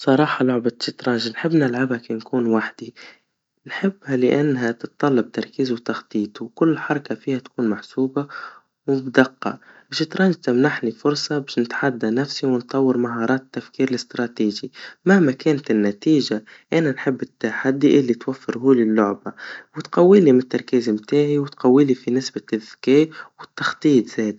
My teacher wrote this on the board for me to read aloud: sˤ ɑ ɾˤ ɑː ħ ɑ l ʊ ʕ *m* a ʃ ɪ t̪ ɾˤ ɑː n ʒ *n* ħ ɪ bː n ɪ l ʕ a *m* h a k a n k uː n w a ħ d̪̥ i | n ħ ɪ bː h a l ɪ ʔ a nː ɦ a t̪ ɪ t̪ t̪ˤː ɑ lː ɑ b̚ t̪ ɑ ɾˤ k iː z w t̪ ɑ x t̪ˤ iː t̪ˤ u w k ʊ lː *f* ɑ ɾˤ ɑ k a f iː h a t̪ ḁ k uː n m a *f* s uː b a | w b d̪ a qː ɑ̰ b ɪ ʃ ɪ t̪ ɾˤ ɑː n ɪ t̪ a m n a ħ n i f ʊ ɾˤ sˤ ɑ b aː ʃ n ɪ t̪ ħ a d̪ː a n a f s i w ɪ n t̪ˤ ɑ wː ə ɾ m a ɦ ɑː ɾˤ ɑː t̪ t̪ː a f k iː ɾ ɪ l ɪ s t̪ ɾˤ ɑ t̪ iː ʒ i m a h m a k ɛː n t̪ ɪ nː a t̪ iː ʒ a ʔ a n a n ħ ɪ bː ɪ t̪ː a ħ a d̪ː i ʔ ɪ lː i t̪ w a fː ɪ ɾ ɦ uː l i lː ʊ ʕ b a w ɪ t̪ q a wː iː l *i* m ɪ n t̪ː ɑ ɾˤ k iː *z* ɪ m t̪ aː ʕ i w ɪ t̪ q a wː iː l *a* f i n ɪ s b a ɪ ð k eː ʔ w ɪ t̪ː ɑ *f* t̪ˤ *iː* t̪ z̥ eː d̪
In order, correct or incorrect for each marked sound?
incorrect, correct, incorrect, incorrect, incorrect, correct, correct, incorrect, incorrect, correct

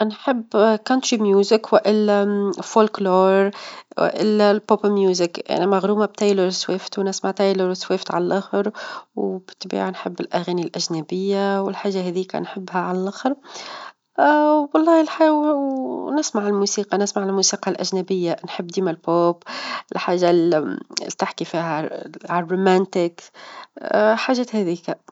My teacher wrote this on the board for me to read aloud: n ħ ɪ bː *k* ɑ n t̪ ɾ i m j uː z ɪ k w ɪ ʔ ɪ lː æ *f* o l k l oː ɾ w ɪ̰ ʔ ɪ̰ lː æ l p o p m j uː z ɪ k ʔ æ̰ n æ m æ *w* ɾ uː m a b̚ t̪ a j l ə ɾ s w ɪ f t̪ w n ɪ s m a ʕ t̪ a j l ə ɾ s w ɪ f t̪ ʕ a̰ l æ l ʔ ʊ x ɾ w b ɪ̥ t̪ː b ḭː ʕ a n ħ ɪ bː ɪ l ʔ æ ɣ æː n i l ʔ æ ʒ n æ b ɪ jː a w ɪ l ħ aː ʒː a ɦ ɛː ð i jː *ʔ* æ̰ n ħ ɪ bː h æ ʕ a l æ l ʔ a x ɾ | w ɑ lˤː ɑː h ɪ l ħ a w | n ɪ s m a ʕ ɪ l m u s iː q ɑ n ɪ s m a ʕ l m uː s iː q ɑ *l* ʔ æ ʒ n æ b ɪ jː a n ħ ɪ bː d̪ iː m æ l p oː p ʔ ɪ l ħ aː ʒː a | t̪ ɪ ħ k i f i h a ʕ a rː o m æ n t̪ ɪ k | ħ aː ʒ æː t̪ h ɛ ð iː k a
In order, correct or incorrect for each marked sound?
correct, correct, incorrect, incorrect, correct

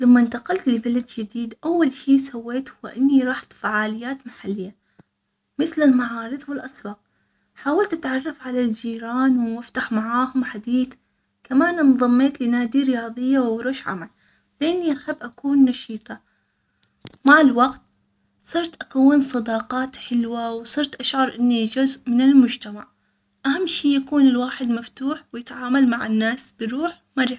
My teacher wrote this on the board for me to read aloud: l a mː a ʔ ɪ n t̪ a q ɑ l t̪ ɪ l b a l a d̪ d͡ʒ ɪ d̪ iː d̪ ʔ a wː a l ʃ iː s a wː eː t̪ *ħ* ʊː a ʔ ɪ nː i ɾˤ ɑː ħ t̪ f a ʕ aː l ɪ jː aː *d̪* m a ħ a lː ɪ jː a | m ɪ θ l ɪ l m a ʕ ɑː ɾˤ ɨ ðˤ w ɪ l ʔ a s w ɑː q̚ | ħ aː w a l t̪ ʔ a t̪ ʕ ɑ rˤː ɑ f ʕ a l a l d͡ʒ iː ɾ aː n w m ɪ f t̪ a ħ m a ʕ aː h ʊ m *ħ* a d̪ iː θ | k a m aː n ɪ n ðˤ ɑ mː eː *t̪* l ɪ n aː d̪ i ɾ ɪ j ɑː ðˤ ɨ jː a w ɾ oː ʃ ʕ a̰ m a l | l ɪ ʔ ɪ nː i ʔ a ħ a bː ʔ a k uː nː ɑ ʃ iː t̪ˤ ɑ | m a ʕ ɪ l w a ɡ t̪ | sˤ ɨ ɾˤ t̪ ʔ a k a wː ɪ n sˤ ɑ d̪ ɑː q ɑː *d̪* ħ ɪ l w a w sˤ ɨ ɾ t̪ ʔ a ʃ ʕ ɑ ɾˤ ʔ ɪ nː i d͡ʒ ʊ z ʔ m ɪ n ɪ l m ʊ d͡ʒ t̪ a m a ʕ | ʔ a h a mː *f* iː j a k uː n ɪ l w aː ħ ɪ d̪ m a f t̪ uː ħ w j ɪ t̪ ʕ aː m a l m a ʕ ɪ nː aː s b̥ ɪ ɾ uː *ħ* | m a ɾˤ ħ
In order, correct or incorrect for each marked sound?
incorrect, incorrect, correct, correct, incorrect, incorrect, correct

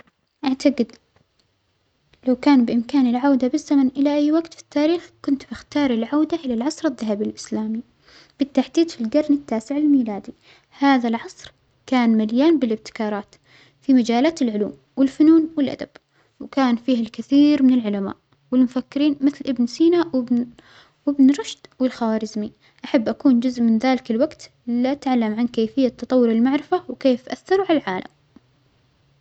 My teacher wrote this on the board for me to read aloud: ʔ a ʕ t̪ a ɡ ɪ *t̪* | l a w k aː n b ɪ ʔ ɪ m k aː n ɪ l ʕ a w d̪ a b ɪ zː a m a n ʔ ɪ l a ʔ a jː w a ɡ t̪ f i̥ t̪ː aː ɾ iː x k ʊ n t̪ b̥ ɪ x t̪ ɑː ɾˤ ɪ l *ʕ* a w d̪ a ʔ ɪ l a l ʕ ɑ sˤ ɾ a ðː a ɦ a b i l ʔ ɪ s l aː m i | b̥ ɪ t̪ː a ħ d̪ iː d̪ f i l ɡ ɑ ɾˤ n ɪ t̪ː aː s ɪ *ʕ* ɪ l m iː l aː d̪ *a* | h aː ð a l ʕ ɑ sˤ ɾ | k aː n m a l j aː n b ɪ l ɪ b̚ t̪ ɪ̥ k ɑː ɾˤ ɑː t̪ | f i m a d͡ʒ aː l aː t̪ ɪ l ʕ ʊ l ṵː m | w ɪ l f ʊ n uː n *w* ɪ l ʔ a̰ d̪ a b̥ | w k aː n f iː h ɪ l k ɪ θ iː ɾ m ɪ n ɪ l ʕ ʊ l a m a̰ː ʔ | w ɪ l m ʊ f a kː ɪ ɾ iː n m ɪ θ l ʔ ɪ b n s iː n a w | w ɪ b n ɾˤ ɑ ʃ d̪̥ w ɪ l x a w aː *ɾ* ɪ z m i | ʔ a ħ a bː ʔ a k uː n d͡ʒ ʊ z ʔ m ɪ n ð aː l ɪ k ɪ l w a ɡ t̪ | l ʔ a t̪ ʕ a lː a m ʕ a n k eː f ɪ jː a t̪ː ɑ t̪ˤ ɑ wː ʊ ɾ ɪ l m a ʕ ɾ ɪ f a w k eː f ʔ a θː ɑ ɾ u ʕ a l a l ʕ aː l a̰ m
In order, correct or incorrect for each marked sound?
incorrect, correct, correct, incorrect, correct, correct

